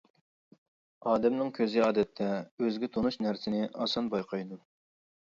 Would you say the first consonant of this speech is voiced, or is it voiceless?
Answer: voiced